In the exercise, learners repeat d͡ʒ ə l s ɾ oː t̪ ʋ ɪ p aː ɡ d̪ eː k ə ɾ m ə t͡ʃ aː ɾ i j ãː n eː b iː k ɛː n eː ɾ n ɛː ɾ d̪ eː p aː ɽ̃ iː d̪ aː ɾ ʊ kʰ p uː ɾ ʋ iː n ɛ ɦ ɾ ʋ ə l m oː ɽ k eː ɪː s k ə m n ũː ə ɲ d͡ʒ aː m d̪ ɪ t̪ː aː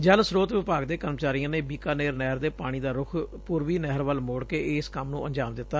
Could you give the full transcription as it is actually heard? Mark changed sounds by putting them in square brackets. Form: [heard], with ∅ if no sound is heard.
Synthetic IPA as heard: d͡ʒ ə l s ɾ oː t̪ ʋ ɪ p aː ɡ d̪ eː k ə ɾ m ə t͡ʃ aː ɾ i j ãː n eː b iː k [aː] n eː ɾ n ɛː ɾ d̪ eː p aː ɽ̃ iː d̪ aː ɾ ʊ kʰ p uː ɾ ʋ iː n ɛ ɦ ɾ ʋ ə l m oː ɽ k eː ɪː s k ə m n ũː ə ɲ d͡ʒ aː m d̪ ɪ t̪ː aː